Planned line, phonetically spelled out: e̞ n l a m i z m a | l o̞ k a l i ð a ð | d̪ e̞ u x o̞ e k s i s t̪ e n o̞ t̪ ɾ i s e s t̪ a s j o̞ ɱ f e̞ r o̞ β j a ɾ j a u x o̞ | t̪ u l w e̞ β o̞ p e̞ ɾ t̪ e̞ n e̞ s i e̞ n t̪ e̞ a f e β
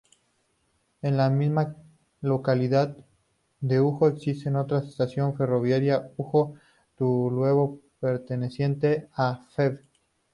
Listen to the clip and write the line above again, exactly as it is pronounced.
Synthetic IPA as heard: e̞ n l a m i z m a | l o̞ k a l i ð a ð | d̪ e̞ u x o̞ e k s i s t̪ e n o̞ t̪ ɾ a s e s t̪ a s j o̞ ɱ f e̞ r o̞ β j a ɾ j a u x o̞ | t̪ u l w e̞ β o̞ p e̞ ɾ t̪ e̞ n e̞ s j e̞ n t̪ e̞ a f e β